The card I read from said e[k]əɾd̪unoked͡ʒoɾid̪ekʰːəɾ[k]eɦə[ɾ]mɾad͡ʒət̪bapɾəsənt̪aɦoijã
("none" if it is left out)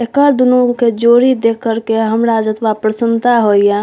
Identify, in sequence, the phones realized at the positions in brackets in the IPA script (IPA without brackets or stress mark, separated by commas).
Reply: k, k, none